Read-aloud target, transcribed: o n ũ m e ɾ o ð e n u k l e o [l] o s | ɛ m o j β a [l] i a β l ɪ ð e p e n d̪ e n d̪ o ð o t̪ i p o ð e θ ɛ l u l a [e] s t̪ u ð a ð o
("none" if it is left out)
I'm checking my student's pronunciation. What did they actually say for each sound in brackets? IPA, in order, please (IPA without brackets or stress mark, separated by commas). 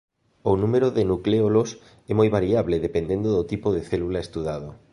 l, ɾ, e